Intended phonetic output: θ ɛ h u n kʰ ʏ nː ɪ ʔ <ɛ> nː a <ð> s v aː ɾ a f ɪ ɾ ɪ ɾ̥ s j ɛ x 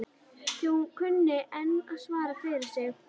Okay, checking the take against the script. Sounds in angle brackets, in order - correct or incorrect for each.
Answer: correct, correct

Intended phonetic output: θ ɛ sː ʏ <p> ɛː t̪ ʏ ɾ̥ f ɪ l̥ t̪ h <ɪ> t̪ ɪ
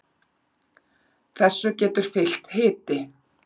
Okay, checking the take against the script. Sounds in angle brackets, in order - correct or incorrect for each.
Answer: incorrect: c, incorrect: ɪː

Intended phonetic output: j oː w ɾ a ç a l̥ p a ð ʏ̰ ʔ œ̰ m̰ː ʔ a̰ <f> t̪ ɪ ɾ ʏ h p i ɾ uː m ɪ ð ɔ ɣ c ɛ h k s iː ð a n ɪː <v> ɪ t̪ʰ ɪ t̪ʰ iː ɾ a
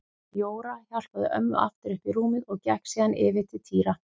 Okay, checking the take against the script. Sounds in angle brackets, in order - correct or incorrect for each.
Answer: correct, correct

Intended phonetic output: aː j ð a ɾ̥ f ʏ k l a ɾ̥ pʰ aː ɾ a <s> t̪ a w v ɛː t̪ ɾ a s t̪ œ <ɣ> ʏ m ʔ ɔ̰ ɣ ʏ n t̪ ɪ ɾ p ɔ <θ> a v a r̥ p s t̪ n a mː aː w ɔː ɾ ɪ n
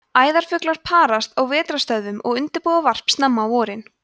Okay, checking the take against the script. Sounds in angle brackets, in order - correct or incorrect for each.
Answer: correct, incorrect: ð, incorrect: ð

